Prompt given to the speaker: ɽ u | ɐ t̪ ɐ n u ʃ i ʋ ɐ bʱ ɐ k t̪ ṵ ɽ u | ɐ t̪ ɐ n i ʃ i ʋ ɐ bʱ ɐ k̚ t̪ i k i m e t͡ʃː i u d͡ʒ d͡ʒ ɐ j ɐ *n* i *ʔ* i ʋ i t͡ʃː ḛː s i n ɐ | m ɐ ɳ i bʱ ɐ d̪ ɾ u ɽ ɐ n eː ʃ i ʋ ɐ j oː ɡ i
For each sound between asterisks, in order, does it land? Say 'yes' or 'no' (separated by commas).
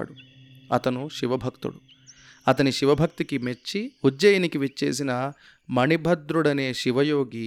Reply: yes, no